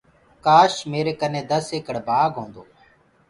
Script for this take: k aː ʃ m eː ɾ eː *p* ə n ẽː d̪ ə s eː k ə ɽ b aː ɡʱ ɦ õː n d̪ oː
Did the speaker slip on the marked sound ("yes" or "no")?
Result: yes